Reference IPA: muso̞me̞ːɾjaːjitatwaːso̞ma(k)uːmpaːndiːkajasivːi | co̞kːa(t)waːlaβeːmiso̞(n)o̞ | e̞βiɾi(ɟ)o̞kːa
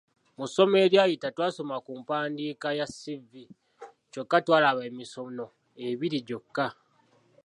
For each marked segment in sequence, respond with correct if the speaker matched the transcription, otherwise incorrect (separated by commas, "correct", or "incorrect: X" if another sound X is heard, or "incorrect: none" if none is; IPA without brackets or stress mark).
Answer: correct, correct, correct, correct